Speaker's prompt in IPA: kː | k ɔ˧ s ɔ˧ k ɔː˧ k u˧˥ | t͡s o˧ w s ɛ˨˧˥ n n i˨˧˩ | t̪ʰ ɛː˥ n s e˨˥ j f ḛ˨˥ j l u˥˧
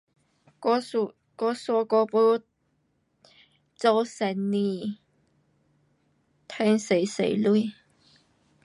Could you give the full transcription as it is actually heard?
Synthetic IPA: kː | k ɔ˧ s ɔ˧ k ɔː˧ p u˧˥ | t͡s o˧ w s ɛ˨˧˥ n n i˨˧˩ | t̪ʰ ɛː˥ ŋ s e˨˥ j s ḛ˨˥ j l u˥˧

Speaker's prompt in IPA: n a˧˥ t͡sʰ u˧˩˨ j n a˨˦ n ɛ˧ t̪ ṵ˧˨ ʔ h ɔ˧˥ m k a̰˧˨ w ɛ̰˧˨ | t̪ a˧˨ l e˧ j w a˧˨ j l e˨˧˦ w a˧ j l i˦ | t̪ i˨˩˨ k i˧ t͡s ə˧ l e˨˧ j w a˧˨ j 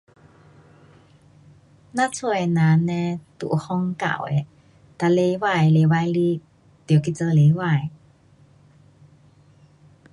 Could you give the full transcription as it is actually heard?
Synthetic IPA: n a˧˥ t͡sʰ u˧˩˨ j n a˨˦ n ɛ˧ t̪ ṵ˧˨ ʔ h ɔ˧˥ ŋ k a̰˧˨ w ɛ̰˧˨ | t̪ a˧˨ l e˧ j w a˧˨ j l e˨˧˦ w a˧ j l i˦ | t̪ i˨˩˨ k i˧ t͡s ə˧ l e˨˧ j w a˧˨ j

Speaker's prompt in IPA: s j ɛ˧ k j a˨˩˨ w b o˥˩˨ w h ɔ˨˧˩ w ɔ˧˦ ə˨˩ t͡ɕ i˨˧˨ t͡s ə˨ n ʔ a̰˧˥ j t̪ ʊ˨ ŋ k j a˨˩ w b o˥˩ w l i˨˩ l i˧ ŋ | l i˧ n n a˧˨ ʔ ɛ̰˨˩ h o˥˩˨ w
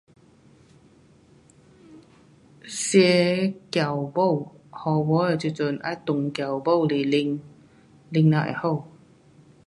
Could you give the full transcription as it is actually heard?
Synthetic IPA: s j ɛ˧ k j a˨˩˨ w b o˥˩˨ w h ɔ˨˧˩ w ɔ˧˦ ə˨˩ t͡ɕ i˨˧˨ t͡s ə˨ n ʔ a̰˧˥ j t̪ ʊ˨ ŋ k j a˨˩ w b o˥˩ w l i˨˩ l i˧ ŋ | l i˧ ŋ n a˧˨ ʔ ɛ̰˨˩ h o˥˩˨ w

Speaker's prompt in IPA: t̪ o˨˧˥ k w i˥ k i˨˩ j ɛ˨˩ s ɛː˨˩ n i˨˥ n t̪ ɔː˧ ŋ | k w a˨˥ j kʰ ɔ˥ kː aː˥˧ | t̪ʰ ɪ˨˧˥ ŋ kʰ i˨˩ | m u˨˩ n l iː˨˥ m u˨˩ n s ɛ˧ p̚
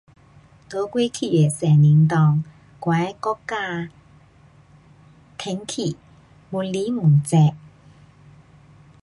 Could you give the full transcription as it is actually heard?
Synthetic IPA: t̪ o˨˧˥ k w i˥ kʰ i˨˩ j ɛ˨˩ s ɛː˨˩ n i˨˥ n t̪ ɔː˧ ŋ | k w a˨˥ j k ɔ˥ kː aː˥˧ | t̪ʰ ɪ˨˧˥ ŋ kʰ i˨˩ | m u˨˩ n l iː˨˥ m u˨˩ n t͡s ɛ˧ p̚

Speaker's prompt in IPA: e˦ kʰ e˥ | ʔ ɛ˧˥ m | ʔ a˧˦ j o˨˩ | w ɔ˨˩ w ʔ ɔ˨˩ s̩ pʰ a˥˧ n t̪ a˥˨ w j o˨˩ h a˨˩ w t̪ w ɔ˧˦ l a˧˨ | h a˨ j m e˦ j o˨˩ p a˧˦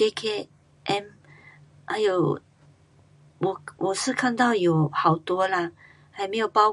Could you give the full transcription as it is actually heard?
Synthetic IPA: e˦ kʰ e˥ | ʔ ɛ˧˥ m | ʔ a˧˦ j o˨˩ | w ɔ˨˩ w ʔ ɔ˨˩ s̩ kʰ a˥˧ n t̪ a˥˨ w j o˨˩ h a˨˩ w t̪ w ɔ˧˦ l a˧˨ | h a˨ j m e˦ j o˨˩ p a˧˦

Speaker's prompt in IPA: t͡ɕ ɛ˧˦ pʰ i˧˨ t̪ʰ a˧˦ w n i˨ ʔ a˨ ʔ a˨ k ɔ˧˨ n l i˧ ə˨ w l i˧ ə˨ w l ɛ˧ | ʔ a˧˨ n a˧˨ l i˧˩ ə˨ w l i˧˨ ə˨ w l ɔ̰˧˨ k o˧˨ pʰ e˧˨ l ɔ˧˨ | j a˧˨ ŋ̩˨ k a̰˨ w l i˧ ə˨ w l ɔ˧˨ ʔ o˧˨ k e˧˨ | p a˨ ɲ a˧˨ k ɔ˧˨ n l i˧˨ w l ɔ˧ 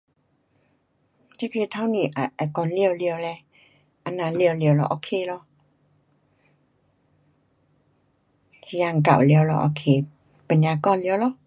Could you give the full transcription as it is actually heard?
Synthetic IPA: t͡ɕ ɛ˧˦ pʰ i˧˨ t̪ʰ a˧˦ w n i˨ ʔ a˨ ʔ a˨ k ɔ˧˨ n l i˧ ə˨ w l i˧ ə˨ w l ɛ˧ | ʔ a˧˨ n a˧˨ l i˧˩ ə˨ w l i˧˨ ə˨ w l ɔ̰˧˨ ʔ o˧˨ kʰ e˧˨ l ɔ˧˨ | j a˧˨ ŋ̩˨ k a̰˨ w l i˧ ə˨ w l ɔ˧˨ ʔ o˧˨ kʰ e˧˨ | p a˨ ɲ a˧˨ k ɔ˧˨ n l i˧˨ w l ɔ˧

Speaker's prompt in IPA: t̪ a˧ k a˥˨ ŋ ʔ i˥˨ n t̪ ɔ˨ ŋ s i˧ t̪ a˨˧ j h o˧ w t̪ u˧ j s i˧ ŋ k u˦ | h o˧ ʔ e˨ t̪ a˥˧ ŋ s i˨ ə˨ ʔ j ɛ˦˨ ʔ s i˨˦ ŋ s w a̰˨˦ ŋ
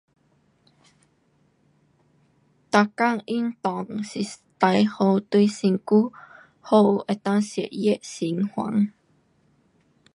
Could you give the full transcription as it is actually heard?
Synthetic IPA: t̪ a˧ k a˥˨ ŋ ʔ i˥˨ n t̪ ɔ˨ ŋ s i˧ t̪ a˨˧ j h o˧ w t̪ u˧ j s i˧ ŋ k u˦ | h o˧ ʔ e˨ t̪ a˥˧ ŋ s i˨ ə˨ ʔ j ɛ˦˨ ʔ s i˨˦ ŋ h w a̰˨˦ ŋ

